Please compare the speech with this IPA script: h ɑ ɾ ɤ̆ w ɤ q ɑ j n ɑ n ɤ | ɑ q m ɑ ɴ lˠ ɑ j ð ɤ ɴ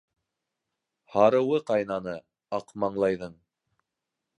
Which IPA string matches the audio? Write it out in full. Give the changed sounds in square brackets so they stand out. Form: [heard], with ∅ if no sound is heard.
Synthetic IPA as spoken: h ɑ ɾ ɤ̆ w ɤ q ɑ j n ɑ n ɤ | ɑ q m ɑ ɴ lˠ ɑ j ð ɤ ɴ